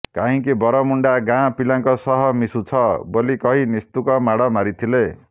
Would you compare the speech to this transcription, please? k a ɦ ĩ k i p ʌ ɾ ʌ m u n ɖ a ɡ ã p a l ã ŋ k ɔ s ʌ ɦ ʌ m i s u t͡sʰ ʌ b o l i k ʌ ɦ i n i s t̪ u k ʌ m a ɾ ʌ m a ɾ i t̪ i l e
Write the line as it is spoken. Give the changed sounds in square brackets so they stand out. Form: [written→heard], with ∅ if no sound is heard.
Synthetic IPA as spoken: k a ɦ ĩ k i [p→b] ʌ ɾ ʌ m u [n→ɳ] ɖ a ɡ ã p [a→i] l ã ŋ k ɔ s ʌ ɦ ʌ m i s u t͡sʰ ʌ b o l i k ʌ ɦ i n i s t̪ u k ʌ m a [ɾ→ɽ] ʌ m a ɾ i [t̪→t̪ʰ] i l e